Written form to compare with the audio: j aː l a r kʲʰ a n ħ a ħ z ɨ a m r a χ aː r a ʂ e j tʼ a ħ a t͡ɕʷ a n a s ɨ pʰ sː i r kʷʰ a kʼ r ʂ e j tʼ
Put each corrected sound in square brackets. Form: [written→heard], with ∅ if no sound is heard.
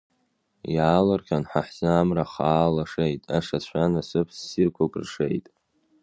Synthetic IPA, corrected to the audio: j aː l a r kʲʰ a n ħ a ħ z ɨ a m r a χ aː [r→l] a ʂ e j tʼ a [ħ→ʂ] a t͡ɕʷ a n a s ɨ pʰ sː i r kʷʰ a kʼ r ʂ e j tʼ